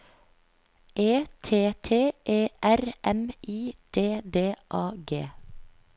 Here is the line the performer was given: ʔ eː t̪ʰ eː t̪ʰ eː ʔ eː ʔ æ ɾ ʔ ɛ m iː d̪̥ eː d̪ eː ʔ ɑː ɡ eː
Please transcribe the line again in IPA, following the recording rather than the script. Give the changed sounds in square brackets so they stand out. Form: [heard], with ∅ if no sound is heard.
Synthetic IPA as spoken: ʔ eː t̪ʰ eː t̪ʰ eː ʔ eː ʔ æ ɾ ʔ ɛ m iː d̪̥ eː d̪ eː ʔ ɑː ɡ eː